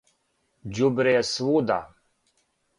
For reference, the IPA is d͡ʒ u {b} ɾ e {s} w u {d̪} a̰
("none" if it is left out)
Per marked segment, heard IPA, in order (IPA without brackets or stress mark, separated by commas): b, s, d̪